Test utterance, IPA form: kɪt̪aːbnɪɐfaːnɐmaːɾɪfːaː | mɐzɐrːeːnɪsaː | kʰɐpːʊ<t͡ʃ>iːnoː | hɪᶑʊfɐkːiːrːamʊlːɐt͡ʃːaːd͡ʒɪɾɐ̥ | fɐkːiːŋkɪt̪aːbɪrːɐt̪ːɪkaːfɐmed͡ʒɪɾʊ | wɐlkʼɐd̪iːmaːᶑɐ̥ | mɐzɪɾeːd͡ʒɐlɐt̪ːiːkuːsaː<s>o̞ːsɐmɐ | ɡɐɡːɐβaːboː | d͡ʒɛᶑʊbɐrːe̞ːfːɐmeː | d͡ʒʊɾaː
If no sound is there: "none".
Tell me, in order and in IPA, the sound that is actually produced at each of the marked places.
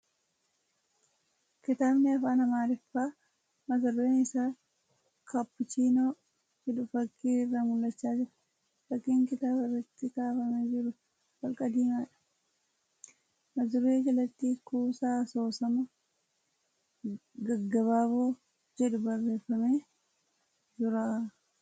t͡ʃ, s

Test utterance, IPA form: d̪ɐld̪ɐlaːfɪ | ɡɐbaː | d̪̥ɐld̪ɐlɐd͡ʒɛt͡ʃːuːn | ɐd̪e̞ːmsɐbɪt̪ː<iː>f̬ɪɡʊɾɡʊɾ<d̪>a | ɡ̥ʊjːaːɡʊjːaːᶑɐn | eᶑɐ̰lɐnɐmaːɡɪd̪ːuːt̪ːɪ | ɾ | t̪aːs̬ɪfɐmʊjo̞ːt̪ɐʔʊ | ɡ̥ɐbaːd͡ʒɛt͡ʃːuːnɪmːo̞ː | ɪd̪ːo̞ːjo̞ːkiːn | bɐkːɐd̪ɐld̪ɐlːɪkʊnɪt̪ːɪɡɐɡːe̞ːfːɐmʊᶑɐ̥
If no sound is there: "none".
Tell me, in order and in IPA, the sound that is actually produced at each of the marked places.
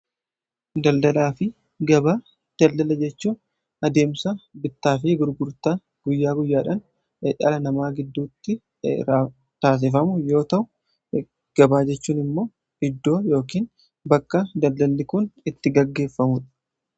aː, t̪

